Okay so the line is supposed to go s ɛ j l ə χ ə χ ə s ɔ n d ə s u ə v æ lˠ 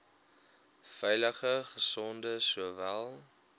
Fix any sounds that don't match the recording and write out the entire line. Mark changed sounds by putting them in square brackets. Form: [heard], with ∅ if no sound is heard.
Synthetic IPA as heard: [f] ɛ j l ə χ ə χ ə s ɔ n d ə s u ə v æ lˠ